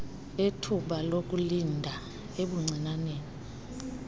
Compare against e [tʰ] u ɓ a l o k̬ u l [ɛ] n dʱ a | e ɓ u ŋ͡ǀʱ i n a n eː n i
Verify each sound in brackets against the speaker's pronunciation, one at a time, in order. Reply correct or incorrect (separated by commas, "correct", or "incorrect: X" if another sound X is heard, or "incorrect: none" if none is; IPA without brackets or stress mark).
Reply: correct, incorrect: i